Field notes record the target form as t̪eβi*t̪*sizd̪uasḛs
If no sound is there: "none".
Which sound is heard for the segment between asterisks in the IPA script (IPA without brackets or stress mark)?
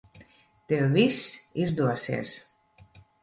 none